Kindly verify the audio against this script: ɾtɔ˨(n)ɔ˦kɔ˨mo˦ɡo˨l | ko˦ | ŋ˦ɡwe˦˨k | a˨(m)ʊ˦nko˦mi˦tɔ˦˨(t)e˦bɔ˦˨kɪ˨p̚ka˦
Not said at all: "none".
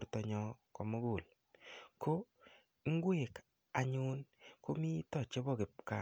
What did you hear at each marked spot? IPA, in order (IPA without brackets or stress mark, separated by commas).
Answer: ɲ, ɲ, t͡ʃ